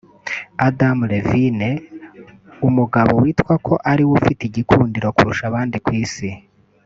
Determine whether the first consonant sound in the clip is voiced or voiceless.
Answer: voiced